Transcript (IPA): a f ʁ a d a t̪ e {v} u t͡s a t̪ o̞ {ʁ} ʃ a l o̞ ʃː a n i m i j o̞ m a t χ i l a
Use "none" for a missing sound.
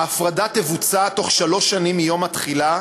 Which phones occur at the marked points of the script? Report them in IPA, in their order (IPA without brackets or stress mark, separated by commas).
v, χ